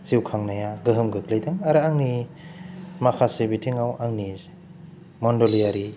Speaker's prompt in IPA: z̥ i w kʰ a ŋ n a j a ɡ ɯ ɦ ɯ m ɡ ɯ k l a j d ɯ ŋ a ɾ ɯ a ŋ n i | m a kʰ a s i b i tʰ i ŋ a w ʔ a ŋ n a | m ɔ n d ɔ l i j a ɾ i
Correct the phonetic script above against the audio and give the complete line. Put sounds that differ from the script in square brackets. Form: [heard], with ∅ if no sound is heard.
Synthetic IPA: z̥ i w kʰ a ŋ n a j a ɡ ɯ ɦ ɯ m ɡ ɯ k l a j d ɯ ŋ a ɾ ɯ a ŋ n i | m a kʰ a s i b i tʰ i ŋ a w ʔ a ŋ n [i] | m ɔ n d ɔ l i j a ɾ i